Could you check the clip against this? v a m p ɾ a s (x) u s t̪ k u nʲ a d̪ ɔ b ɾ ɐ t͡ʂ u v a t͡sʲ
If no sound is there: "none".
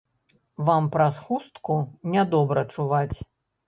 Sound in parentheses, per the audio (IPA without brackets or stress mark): x